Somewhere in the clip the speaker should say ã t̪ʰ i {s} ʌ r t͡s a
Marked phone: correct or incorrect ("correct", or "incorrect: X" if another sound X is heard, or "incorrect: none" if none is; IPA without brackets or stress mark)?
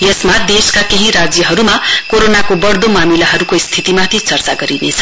incorrect: t͡s